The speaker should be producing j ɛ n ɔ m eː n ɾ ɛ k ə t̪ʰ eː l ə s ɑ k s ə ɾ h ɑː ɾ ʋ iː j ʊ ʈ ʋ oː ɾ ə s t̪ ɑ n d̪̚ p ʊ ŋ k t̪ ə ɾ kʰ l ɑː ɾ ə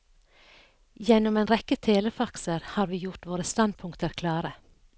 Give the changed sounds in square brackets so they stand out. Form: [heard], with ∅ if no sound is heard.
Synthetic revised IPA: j ɛ n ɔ m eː n ɾ ɛ k ə t̪ʰ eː l ə [f] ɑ k s ə ɾ h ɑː ɾ ʋ iː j ʊ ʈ ʋ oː ɾ ə s t̪ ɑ n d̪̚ [pʰ] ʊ ŋ k t̪ ə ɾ kʰ l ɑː ɾ ə